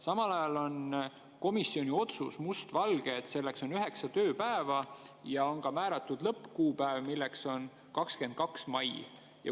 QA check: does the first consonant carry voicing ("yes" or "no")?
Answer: no